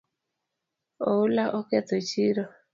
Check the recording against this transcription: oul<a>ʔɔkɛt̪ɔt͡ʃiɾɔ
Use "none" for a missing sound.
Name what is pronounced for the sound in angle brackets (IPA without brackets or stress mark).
a